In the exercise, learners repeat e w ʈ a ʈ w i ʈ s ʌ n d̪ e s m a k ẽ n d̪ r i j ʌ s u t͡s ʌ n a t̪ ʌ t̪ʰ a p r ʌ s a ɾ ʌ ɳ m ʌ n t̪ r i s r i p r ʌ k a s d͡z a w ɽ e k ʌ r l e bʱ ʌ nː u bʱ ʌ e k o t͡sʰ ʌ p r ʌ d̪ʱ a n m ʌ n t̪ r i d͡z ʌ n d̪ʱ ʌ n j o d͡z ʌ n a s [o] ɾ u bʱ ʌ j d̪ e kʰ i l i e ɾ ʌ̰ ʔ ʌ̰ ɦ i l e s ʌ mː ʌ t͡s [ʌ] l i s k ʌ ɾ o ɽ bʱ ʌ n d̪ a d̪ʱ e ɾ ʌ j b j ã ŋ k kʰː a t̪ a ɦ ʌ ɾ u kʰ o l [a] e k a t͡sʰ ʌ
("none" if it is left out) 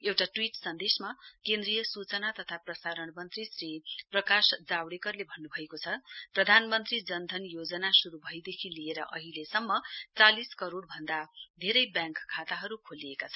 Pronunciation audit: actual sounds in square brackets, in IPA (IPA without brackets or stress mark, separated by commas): u, a, i